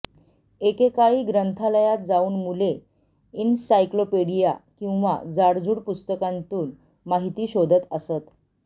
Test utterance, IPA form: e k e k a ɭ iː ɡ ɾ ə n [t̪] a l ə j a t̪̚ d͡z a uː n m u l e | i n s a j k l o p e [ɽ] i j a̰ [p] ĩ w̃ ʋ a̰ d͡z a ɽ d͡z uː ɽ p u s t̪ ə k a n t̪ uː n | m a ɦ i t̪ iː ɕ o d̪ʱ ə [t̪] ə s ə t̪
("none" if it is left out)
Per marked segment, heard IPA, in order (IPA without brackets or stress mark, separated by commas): t̪ʰ, ɽ, k, t̪